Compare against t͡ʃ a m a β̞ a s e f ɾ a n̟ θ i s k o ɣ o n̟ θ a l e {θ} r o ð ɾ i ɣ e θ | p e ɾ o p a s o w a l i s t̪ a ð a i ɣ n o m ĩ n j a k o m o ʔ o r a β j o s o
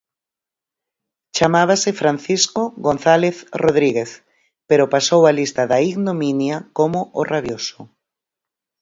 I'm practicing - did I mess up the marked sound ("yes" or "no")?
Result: no